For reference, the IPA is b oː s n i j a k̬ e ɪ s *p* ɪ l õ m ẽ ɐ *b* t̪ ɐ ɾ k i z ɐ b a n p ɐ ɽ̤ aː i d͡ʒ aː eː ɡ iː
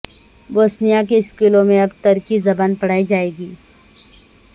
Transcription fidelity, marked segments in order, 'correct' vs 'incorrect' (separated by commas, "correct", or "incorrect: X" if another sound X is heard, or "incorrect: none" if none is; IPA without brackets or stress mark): incorrect: k, correct